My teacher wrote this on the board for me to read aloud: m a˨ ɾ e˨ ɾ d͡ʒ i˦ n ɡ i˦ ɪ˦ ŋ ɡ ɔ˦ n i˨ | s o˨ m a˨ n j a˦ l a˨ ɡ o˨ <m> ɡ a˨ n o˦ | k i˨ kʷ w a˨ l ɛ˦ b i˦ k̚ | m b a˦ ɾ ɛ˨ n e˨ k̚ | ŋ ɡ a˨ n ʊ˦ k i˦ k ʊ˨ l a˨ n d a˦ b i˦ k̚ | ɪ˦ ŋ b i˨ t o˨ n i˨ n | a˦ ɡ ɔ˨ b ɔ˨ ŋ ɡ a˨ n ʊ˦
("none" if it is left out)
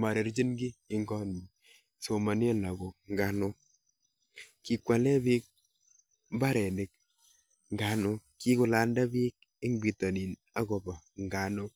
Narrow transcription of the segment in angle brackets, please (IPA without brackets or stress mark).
ŋ